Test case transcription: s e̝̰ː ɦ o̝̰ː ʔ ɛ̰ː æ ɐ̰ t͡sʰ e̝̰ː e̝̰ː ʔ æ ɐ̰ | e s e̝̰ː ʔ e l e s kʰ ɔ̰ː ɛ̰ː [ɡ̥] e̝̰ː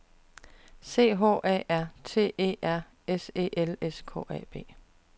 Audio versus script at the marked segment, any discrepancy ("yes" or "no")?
yes